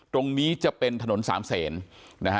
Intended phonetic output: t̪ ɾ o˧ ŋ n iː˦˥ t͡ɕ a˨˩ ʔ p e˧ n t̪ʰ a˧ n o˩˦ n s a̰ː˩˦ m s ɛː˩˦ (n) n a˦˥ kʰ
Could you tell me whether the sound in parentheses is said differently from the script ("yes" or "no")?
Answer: no